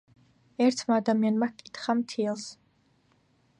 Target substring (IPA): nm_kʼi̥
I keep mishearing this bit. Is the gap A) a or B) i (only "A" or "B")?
A